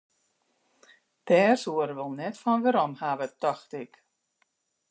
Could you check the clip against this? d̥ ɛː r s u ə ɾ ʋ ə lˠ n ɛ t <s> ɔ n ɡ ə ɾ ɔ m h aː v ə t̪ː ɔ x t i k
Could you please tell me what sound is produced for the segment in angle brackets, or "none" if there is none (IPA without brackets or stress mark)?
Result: f